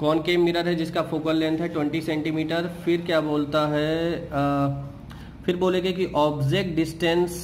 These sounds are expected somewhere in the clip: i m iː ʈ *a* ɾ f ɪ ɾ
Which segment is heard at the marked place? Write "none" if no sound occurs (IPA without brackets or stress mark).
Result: ə